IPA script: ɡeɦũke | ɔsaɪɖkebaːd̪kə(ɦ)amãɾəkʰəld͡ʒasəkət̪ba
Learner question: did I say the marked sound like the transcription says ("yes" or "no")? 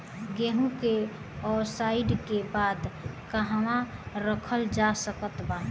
yes